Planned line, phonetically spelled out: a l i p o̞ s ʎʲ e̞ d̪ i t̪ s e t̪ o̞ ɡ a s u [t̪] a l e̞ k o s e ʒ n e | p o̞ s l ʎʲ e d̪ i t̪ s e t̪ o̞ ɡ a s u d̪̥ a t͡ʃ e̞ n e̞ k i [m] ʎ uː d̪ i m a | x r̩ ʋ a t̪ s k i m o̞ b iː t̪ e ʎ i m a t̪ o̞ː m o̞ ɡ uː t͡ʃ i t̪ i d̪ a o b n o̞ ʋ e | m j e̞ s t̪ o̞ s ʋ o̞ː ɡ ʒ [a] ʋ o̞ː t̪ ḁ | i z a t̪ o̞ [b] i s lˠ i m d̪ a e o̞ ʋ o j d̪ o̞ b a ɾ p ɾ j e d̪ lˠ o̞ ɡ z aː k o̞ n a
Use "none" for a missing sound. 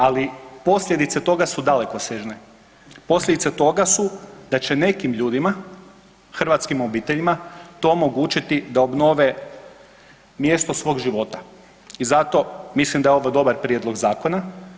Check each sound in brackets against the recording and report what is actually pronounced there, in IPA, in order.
d̪, m, i, m

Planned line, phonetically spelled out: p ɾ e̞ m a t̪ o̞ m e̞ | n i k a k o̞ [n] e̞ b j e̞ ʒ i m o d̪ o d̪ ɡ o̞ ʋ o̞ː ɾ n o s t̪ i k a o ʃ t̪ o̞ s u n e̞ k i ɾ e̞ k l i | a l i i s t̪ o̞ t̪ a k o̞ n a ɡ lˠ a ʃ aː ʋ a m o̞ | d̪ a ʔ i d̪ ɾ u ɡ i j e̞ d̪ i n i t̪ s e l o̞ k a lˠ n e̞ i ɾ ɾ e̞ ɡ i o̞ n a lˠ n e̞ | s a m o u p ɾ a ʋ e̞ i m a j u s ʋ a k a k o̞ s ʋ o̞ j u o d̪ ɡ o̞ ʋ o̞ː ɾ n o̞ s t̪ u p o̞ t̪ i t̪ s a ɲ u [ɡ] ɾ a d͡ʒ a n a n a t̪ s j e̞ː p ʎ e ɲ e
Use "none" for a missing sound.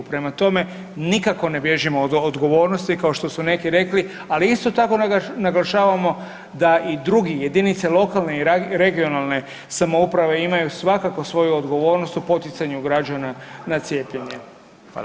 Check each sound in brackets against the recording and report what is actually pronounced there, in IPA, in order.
n, ɡ

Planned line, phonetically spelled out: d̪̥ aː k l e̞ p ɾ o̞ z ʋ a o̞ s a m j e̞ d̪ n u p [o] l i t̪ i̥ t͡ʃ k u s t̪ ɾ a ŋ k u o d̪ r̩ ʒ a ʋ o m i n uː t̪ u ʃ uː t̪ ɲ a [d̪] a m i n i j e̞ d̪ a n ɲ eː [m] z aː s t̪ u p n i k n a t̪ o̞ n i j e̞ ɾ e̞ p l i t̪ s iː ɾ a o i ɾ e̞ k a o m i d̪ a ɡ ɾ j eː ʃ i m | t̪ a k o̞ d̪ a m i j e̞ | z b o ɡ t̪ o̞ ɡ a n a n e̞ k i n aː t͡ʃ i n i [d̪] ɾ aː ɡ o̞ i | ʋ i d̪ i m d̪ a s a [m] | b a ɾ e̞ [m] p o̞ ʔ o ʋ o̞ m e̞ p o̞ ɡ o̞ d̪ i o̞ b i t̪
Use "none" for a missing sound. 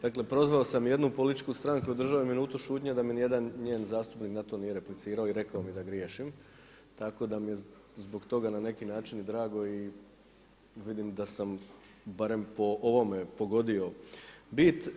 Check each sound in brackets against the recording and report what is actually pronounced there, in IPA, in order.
o, d̪, n, d̪, m, m

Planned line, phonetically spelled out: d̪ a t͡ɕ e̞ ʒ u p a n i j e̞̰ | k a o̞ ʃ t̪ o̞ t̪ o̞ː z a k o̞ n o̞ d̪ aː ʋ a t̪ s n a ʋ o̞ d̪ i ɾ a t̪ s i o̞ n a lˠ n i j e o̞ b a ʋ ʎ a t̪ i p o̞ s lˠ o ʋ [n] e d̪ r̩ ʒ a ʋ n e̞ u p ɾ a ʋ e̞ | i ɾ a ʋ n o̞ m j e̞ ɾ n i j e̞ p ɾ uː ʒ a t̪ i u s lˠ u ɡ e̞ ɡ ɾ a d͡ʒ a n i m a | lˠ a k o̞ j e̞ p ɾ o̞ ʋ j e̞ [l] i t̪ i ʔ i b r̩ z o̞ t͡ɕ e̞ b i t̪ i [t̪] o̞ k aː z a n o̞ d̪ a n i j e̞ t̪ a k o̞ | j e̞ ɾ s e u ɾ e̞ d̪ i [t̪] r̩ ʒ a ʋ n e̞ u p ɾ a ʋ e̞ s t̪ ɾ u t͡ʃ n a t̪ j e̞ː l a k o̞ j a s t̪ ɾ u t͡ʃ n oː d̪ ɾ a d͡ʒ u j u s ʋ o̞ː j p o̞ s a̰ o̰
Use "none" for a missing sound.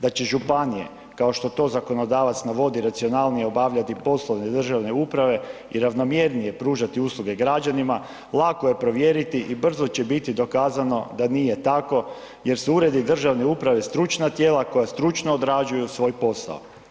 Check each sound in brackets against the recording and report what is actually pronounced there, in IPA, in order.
n, ɾ, d̪, d̪

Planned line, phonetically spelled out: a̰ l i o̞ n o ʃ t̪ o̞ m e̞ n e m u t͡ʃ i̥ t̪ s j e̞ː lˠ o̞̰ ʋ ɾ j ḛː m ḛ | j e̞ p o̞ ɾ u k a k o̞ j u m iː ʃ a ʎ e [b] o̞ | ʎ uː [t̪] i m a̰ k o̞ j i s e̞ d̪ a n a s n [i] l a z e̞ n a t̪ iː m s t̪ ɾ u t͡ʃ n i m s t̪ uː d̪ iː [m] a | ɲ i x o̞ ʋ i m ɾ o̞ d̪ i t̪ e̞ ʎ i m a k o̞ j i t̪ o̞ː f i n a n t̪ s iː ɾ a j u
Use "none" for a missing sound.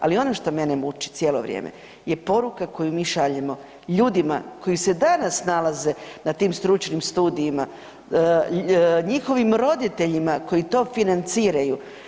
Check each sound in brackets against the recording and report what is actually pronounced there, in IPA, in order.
m, d̪, a, m

